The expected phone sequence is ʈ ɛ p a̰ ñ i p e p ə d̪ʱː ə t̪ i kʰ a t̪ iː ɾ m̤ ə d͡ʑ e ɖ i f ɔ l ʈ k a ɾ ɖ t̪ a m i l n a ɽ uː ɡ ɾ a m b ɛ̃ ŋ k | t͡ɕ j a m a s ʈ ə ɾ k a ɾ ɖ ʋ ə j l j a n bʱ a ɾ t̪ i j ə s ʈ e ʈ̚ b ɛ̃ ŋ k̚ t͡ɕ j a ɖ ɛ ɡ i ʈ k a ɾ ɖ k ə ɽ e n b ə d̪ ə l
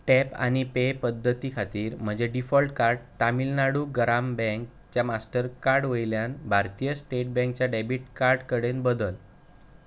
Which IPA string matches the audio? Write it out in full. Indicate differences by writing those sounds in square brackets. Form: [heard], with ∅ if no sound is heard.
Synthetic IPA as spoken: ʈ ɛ p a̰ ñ i p e p ə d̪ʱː ə t̪ i kʰ a t̪ iː ɾ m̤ ə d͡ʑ e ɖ i f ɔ l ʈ k a ɾ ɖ t̪ a m i l n a ɽ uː ɡ ɾ a m b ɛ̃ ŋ k | t͡ɕ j a m a s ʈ ə ɾ k a ɾ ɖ ʋ ə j l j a n bʱ a ɾ t̪ i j ə s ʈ e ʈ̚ b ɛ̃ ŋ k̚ t͡ɕ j a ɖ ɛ [b] i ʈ k a ɾ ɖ k ə ɽ e n b ə d̪ ə l